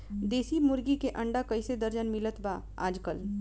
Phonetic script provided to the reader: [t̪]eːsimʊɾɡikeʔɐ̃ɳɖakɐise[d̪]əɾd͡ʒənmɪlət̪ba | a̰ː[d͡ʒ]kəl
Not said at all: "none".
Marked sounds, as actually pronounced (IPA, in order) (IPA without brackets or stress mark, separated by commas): d̪, d̪, d͡ʒ